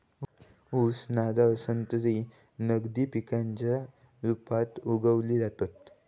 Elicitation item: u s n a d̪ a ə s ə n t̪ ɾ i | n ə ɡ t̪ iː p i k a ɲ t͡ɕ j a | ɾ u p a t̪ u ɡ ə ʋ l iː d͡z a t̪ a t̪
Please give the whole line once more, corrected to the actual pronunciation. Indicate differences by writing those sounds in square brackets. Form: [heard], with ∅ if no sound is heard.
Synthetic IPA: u s n a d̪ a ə s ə n t̪ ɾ i | n ə ɡ [d̪] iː p i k a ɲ t͡ɕ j a | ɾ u p a t̪ u ɡ ə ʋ l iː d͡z a t̪ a t̪